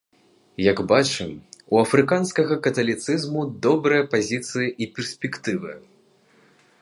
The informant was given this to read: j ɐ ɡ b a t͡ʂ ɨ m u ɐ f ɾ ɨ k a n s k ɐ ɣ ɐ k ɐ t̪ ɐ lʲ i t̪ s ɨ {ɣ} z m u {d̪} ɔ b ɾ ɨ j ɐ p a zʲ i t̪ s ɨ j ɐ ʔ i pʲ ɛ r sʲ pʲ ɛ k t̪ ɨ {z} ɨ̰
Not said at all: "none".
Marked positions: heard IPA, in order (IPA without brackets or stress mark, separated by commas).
none, d̪, v